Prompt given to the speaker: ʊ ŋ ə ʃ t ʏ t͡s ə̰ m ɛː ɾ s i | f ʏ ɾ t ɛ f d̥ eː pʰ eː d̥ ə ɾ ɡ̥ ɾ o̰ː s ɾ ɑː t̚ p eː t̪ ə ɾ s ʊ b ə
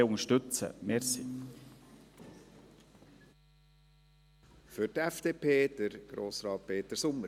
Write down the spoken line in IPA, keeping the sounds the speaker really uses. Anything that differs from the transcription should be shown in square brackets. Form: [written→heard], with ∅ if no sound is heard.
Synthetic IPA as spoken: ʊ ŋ ə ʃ t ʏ t͡s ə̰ m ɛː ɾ s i | f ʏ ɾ t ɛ f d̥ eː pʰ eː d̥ ə ɾ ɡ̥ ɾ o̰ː s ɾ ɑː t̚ p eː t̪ ə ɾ s ʊ [b→m] ə